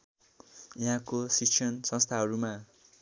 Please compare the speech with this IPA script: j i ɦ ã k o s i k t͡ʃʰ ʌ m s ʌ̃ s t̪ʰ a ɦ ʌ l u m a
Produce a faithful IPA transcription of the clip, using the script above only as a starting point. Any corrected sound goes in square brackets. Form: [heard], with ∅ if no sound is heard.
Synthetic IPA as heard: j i ɦ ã k o s i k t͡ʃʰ ʌ [n] s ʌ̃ s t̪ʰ a ɦ ʌ [ɾ] u m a